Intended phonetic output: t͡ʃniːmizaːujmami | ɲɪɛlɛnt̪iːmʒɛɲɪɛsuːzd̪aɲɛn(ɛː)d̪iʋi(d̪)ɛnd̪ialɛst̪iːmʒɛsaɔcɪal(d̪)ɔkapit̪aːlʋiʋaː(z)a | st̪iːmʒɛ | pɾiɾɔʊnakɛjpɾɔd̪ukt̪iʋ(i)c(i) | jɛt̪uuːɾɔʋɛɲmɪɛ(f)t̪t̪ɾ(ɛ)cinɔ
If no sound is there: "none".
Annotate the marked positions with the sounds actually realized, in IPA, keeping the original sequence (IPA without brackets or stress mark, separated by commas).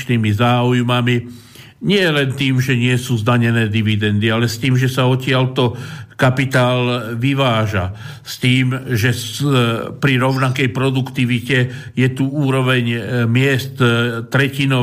ɛː, d̪, t̪, ʒ, i, ɛ, s, ɛ